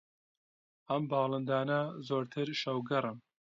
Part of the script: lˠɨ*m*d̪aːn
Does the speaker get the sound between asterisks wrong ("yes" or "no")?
yes